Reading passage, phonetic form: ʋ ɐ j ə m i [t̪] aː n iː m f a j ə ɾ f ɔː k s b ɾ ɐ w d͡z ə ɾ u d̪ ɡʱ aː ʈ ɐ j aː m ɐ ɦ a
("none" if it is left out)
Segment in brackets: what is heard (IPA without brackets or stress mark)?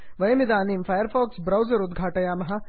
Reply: d̪